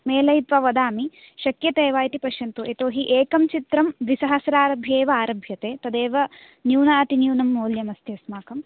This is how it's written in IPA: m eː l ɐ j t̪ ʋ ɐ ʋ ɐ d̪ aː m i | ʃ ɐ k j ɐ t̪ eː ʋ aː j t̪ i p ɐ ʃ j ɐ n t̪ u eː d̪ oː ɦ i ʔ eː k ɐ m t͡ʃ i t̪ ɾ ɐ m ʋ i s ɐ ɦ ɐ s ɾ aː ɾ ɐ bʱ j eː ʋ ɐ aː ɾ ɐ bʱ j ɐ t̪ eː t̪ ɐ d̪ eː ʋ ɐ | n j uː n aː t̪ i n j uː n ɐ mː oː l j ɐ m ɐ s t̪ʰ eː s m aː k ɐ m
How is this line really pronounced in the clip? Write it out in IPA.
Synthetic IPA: m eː l ɐ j t̪ ʋ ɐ ʋ ɐ d̪ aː m i | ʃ ɐ k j ɐ t̪ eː ʋ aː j t̪ i p ɐ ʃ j ɐ n t̪ u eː t̪ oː ɦ i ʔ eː k ɐ m t͡ʃ i t̪ ɾ ɐ m ʋ i s ɐ ɦ ɐ s ɾ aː ɾ ɐ bʱ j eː ʋ ɐ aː ɾ ɐ bʱ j ɐ t̪ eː t̪ ɐ d̪ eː ʋ ɐ | n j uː n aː t̪ i n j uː n ɐ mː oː l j ɐ m ɐ s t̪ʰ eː s m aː k ɐ m